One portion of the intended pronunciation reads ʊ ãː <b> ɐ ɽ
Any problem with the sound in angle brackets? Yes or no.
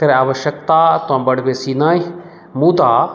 no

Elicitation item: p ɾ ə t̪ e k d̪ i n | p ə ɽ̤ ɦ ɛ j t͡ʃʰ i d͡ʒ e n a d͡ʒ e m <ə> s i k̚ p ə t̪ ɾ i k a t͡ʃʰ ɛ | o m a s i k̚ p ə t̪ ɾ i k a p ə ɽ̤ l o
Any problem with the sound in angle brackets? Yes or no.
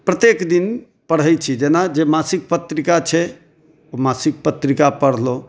yes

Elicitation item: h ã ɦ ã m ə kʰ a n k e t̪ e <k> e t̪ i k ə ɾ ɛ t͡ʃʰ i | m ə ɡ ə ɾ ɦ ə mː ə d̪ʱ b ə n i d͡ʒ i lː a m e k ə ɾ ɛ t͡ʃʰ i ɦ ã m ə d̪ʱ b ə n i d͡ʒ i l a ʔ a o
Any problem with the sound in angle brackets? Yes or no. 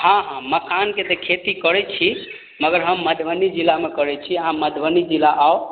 yes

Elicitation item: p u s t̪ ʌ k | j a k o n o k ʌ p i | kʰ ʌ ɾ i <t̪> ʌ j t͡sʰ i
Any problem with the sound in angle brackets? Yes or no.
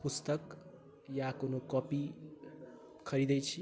yes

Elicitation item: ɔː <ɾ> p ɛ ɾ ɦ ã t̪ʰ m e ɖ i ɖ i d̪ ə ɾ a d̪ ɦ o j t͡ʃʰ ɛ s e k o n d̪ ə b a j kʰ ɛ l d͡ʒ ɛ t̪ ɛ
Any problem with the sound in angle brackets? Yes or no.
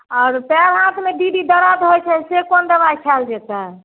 no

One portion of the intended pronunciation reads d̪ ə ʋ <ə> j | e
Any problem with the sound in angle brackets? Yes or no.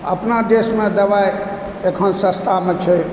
yes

